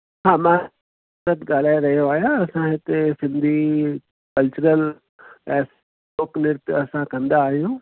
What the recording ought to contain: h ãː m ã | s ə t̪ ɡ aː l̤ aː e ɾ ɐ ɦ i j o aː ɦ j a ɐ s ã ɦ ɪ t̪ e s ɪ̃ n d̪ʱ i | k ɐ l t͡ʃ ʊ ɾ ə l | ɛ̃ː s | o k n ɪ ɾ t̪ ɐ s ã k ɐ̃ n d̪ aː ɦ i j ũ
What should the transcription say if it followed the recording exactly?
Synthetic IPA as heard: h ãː m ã | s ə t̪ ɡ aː l̤ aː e ɾ ɐ ɦ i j o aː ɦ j a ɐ s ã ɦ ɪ t̪ e s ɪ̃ n d̪ʱ i | k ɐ l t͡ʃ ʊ ɾ ə l | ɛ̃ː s | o k n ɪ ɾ t̪ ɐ s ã k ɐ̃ n d̪ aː ɦ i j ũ